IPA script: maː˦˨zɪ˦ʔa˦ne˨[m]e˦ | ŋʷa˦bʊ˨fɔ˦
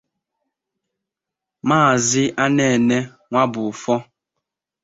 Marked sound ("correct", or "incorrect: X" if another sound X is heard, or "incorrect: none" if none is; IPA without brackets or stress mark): incorrect: n